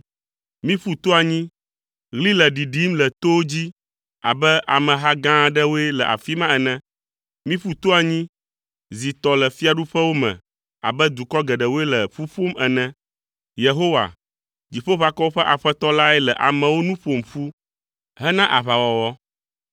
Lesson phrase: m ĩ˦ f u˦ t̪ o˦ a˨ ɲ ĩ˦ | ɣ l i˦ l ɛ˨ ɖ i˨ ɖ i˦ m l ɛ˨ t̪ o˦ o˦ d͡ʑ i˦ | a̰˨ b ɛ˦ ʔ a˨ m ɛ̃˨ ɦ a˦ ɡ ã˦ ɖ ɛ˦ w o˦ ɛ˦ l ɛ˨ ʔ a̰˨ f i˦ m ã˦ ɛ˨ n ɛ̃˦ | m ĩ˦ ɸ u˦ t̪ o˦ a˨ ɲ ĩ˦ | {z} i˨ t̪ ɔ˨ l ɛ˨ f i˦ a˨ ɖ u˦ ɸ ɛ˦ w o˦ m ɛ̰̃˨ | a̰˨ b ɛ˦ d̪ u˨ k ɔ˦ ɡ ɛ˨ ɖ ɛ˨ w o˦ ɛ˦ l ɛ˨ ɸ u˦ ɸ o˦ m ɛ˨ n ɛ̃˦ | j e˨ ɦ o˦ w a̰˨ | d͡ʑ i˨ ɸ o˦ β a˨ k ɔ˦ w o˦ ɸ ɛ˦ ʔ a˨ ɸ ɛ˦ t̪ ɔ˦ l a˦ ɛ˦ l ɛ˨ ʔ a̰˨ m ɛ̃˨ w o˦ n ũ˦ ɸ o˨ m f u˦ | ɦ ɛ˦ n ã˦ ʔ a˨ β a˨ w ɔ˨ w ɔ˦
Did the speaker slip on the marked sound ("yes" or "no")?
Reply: no